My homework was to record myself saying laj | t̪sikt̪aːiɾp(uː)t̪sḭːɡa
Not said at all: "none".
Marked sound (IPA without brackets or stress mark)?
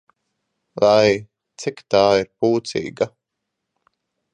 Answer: uː